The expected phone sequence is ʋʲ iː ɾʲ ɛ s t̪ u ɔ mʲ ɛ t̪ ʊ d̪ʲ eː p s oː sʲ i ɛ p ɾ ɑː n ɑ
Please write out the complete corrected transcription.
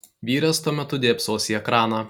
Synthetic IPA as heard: ʋʲ iː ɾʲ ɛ s t̪ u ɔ mʲ ɛ t̪ ʊ d̪ʲ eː p s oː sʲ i ɛ k ɾ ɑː n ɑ